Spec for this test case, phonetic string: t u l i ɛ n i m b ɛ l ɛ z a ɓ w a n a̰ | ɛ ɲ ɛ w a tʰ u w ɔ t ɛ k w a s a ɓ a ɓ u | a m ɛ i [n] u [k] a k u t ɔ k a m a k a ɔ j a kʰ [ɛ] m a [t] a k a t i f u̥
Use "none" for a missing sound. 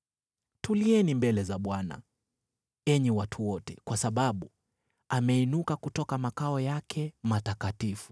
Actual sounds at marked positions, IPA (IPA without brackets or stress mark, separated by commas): n, k, ɛ, t